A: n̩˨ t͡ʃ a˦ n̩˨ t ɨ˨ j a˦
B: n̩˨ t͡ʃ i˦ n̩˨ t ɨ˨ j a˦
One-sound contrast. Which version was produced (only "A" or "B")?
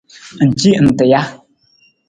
B